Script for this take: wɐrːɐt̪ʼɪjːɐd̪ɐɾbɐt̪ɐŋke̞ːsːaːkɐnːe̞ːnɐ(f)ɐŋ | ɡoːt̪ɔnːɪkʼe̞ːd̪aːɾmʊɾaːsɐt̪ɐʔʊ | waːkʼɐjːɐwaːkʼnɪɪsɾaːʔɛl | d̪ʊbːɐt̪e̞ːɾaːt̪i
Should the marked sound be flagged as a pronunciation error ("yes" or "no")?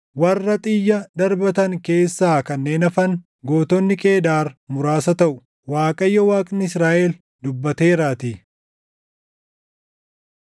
no